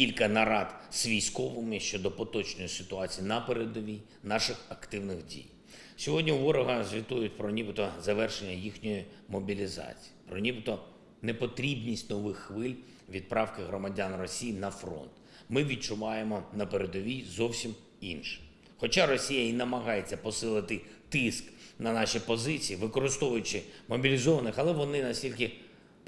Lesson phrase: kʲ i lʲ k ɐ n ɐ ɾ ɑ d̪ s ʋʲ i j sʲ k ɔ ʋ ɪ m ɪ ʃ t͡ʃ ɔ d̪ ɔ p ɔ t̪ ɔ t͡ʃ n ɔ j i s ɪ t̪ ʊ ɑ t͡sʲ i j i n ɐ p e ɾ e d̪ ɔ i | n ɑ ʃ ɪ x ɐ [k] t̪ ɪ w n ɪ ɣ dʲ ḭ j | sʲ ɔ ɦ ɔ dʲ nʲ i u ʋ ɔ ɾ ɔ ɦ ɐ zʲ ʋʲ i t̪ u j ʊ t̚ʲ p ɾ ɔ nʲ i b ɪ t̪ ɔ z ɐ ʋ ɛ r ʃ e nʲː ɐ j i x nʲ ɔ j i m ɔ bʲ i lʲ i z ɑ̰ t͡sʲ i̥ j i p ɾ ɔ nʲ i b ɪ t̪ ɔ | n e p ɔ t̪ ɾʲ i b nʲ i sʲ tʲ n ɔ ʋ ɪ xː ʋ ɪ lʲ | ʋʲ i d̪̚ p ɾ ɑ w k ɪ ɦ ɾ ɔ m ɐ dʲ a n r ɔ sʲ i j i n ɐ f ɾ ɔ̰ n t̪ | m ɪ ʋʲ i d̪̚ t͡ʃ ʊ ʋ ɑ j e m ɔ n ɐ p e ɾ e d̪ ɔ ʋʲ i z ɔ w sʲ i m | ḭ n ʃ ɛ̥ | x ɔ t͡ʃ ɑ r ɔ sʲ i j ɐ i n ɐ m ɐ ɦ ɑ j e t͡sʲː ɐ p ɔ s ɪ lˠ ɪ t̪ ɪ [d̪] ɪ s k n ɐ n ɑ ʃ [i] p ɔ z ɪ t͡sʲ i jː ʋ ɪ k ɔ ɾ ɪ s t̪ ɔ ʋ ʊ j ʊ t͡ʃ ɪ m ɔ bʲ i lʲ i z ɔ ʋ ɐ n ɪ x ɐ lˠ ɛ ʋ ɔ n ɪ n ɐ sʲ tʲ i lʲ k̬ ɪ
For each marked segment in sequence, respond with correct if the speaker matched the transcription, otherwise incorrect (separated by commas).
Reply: correct, incorrect, correct